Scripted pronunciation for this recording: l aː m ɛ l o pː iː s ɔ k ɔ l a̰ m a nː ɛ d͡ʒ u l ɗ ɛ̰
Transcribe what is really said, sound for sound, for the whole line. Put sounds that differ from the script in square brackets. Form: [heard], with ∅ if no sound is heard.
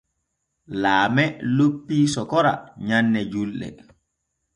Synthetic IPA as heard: l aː m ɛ l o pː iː s ɔ k ɔ [ɾ] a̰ [ɲ] a nː ɛ d͡ʒ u l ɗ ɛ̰